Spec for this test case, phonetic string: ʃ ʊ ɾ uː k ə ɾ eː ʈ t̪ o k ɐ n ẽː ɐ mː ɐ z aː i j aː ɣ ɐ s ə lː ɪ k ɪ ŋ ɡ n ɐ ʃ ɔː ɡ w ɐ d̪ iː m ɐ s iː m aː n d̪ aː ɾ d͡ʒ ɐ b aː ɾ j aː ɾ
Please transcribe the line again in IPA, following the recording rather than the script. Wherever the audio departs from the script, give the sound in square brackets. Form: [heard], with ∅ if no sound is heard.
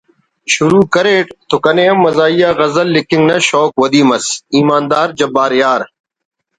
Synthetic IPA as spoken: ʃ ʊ ɾ uː k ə ɾ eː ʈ t̪ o k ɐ n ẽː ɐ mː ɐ z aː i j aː ɣ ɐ [z] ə lː ɪ k ɪ ŋ ɡ n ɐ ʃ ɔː [k] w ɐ d̪ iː m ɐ s iː m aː n d̪ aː ɾ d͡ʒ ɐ b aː ɾ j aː ɾ

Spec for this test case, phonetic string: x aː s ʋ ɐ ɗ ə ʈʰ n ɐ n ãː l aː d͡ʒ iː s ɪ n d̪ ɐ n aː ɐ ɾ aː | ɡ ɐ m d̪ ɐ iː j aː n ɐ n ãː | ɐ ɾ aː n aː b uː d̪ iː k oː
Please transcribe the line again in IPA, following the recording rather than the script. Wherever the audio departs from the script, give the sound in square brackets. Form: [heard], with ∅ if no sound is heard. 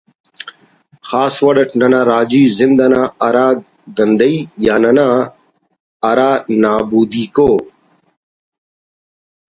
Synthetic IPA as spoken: x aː s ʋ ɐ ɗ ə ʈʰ n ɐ n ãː [ɾ] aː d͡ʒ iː [z] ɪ n d̪ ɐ n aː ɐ ɾ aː | ɡ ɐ [n] d̪ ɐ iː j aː n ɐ n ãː | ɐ ɾ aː n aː b uː d̪ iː k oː

